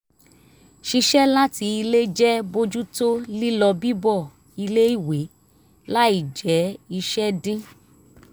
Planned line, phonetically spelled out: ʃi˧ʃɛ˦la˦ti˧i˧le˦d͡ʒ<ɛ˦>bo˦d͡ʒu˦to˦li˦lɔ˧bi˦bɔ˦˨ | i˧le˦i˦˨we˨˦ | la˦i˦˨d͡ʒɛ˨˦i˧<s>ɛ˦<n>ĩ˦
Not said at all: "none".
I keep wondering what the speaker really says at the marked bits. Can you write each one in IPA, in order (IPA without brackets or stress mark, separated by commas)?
ɛ˦, ʃ, d